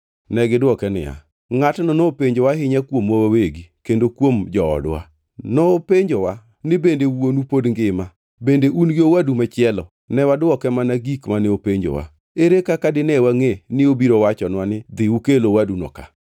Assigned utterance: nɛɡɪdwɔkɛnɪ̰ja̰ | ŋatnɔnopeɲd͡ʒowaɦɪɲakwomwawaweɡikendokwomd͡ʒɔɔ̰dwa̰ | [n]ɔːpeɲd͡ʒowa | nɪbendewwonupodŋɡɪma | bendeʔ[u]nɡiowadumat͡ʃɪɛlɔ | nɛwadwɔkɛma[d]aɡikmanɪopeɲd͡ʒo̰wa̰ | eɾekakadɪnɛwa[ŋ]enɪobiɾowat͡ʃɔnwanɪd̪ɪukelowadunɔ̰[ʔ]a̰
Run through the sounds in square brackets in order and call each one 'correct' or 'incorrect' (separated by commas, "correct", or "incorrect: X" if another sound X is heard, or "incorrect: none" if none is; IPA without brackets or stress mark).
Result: correct, correct, incorrect: n, correct, incorrect: k